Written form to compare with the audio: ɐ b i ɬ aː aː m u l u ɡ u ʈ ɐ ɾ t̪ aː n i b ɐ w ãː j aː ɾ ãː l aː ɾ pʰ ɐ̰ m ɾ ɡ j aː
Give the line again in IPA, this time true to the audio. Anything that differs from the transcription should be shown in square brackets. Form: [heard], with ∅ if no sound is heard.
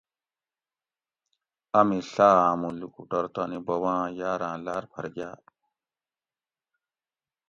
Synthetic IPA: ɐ [m] i ɬ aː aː m u l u [k] u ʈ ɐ ɾ t̪ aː n i b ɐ w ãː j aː ɾ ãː l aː ɾ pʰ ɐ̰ [∅] ɾ ɡ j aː

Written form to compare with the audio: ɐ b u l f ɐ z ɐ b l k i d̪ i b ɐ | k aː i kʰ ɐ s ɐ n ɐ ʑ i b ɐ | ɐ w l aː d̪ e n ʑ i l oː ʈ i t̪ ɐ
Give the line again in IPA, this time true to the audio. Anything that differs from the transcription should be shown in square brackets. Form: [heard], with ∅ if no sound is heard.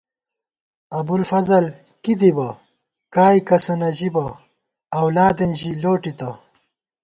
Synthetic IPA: ɐ b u l f ɐ z ɐ [∅] l k i d̪ i b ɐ | k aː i [k] ɐ s ɐ n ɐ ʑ i b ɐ | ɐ w l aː d̪ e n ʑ i l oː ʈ i t̪ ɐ

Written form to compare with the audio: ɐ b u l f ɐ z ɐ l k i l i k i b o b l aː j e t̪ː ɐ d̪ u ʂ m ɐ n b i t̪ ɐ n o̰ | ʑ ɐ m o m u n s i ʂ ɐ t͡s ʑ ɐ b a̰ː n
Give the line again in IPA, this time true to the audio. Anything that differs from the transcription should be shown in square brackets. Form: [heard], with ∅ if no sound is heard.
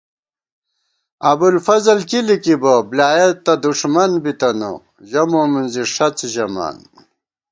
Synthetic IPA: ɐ b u l f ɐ z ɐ l k i l i k i b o b l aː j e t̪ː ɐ d̪ u ʂ m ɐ n b i t̪ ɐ n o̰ | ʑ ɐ m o m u n [z] i ʂ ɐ t͡s ʑ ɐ [m] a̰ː n

